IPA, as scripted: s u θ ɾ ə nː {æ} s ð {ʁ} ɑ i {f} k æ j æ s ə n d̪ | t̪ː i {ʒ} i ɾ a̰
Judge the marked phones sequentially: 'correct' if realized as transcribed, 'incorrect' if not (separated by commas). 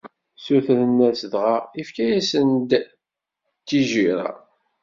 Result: correct, correct, correct, correct